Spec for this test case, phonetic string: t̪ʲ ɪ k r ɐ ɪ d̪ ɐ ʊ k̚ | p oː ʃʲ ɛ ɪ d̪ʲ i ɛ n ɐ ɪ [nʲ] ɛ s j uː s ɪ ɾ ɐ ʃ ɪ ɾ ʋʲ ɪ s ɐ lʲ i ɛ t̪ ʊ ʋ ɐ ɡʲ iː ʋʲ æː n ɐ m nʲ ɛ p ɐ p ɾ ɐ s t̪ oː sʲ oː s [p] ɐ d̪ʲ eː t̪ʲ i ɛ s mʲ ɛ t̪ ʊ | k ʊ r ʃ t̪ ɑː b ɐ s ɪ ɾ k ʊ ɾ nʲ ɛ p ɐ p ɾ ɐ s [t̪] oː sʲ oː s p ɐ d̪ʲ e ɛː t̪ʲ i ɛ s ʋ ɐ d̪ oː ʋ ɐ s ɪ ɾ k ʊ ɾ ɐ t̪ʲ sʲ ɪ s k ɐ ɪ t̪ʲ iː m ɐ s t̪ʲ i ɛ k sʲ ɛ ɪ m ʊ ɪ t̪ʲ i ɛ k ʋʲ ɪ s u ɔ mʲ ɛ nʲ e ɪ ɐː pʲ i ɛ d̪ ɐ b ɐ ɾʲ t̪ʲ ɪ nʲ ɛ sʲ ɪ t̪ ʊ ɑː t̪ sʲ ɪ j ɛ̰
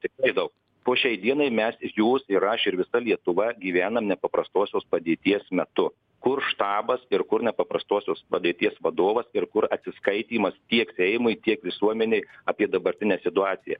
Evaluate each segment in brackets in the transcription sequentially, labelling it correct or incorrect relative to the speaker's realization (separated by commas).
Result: incorrect, correct, correct